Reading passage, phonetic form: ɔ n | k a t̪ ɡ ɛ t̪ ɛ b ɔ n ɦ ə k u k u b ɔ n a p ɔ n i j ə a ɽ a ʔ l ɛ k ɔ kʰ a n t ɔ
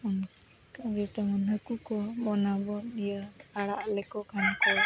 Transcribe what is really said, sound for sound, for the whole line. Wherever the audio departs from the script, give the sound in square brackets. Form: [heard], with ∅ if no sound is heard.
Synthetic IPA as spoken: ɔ n | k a [∅] ɡ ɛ t̪ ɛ [m] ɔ n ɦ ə k u k [ɔ] b ɔ n a [b] ɔ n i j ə a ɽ a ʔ l ɛ k ɔ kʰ a n [k] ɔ